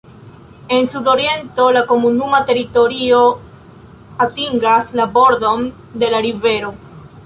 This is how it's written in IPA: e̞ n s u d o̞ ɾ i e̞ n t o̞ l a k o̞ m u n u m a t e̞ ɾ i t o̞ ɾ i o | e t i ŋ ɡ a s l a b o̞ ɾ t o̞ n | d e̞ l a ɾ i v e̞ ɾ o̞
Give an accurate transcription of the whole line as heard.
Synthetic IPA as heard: e̞ n s u d o̞ ɾ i e̞ n t o̞ l a k o̞ m u n u m a t e̞ ɾ i t o̞ ɾ i o | a t i ŋ ɡ a s l a b o̞ ɾ d o̞ n | d e̞ l a ɾ i v e̞ ɾ o̞